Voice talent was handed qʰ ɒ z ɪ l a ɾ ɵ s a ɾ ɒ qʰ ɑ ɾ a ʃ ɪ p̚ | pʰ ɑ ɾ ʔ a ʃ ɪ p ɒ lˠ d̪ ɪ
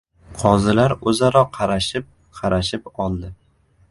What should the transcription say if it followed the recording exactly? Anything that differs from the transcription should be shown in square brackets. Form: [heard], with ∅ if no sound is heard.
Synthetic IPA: qʰ ɒ z ɪ l a ɾ ɵ [z] a ɾ ɒ qʰ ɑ ɾ a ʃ ɪ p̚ | [qʰ] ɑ ɾ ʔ a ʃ ɪ p ɒ lˠ d̪ ɪ